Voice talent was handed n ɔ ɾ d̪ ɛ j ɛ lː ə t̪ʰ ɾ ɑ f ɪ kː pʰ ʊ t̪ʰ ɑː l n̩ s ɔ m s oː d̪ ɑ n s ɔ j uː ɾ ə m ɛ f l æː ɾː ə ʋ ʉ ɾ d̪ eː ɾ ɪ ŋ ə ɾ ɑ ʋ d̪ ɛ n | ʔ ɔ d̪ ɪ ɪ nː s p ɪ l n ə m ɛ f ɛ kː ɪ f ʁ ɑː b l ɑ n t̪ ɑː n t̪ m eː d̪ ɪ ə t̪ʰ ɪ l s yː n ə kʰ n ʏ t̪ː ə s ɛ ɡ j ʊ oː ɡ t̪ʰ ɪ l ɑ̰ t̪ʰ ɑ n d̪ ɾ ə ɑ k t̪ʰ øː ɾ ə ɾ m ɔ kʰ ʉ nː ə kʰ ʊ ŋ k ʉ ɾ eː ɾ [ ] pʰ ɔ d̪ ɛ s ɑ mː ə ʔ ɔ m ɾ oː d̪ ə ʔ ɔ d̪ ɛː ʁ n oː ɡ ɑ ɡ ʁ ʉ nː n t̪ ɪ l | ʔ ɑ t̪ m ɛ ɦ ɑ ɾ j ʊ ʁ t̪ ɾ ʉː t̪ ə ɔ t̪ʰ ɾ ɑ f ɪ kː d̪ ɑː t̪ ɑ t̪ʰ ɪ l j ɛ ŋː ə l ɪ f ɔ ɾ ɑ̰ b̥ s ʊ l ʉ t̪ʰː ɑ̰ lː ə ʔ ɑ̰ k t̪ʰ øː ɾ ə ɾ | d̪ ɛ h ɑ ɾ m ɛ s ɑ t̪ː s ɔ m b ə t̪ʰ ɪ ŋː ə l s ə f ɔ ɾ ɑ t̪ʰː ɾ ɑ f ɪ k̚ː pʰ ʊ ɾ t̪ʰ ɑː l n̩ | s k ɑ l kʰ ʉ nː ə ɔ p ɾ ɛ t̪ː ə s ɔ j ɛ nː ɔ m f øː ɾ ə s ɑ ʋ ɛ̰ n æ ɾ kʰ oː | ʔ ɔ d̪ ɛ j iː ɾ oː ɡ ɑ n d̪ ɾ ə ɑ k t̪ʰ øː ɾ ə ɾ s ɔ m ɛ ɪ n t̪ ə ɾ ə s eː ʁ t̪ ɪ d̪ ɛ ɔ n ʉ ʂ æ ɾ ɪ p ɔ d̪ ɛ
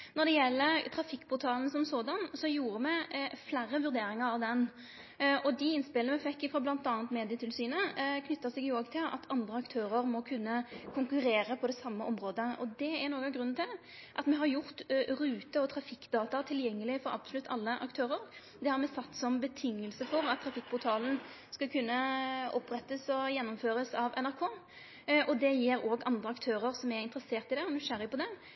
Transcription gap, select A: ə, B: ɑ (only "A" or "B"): A